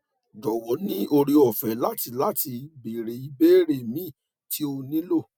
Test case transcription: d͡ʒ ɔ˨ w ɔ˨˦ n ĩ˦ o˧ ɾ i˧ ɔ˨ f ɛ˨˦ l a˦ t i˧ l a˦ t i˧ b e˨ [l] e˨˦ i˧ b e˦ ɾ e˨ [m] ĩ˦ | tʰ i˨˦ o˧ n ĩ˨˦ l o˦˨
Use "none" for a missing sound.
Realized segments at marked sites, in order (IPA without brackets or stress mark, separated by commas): ɾ, m